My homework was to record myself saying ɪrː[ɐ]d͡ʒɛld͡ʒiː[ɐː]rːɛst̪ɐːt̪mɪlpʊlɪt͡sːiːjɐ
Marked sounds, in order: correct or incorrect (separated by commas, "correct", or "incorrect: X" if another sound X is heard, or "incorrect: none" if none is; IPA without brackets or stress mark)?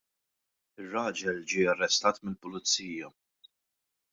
incorrect: ɐː, incorrect: ɐ